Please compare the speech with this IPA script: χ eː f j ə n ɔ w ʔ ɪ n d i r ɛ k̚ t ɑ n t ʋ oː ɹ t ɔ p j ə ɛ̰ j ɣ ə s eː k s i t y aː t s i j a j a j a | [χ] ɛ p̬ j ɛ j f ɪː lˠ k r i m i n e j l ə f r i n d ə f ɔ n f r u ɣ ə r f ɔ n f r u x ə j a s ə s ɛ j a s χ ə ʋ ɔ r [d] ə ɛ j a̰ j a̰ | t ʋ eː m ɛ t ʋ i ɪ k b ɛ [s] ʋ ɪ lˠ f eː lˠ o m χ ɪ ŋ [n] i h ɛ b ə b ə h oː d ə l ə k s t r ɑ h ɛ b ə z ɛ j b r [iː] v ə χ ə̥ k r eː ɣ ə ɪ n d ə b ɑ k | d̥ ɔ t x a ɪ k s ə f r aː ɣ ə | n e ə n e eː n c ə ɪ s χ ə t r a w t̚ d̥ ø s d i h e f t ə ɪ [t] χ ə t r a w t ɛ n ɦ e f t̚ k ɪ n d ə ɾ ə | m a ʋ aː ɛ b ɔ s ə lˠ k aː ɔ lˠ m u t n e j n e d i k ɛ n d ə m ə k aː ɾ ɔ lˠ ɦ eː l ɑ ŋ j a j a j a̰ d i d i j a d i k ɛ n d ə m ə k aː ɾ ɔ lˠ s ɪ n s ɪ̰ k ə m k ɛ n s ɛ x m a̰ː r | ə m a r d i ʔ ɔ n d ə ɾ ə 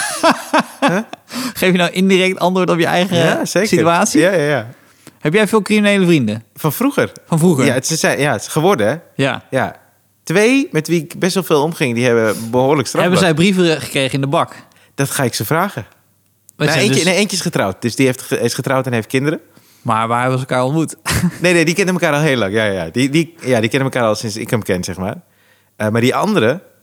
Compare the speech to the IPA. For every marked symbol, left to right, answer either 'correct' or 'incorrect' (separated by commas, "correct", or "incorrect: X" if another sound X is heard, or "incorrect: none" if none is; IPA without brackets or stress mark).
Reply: incorrect: h, correct, correct, incorrect: d, incorrect: i, incorrect: s